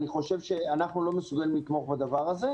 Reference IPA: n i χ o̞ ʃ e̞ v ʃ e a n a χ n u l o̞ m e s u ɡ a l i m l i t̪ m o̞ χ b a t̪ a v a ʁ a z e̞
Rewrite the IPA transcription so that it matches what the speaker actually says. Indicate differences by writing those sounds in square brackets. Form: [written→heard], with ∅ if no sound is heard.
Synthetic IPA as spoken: n i χ o̞ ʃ e̞ v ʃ e a n a χ n u l o̞ m e s u ɡ a l i m l i t̪ m o̞ χ b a [t̪→d̪] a v a ʁ a z e̞

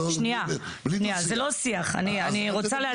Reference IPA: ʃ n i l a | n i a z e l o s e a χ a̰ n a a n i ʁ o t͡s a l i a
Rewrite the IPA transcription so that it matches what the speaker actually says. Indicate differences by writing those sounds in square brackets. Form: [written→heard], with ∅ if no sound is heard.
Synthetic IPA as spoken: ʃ n i [l→∅] a | n i a z e l o s [e→i] a χ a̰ n [a→i] a n i ʁ o t͡s a l [i→e] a

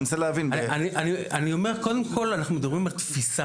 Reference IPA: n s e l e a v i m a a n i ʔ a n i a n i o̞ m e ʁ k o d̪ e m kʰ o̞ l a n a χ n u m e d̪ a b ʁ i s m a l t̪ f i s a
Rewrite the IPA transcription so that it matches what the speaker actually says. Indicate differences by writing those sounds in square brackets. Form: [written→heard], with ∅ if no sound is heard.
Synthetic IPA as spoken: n s e l e a v i [m→n] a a n i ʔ a n i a n i o̞ m e ʁ k o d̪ e m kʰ o̞ l a n a χ n u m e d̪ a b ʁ i [s→∅] m a l t̪ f i s a

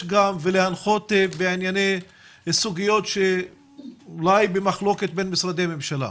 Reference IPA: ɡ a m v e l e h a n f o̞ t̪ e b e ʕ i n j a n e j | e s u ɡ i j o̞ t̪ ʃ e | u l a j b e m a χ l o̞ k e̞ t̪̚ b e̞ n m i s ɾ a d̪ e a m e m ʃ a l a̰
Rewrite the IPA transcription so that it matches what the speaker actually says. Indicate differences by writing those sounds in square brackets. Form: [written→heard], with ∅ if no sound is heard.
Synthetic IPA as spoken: ɡ a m v e l e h a n [f→χ] o̞ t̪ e b e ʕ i n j a n e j | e s u ɡ i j o̞ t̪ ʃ e | u l a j b e m a χ l o̞ k e̞ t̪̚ b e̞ n m i s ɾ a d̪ e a m e m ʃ a l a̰

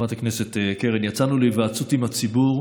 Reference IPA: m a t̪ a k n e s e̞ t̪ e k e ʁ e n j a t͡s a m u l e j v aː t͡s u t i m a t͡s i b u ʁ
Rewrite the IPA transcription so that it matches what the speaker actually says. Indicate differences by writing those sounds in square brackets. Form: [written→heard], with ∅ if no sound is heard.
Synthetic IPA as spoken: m a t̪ a k n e s e̞ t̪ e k e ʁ e n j a t͡s a [m→n] u l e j v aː t͡s u t i m a t͡s i b u ʁ

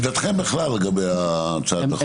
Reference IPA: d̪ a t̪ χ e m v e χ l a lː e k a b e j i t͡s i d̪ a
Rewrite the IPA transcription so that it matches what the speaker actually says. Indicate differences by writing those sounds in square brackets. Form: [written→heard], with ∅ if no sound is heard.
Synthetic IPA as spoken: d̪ a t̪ χ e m [v→b] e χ l a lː e [k→ɡ] a b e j [i→a] t͡s [i→a] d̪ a

